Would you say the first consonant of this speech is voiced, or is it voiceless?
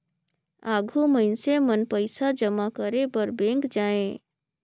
voiced